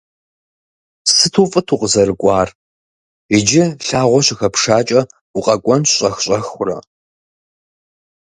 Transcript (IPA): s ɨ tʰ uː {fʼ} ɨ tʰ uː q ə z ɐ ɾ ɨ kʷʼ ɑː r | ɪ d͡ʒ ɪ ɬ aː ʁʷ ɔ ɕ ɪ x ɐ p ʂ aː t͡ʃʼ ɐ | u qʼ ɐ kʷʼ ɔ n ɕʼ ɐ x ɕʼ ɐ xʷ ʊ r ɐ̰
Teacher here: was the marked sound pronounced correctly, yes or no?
yes